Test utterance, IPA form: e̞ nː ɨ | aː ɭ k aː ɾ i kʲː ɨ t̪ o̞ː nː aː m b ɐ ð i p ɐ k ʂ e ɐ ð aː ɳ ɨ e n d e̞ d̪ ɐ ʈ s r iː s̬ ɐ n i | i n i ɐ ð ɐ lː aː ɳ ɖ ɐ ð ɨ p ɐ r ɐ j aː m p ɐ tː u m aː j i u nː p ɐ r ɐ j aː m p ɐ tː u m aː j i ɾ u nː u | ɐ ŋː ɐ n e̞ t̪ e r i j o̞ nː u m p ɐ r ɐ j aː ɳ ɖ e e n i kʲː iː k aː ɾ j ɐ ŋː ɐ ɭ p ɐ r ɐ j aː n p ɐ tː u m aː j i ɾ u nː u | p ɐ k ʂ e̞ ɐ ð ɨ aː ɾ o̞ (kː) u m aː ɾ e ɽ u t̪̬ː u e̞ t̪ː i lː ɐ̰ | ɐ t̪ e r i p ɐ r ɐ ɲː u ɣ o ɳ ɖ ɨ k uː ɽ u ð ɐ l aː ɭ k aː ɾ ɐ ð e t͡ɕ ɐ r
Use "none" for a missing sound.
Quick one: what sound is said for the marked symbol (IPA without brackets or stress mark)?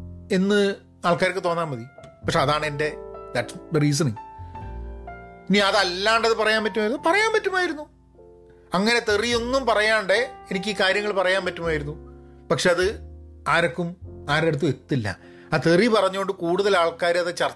kː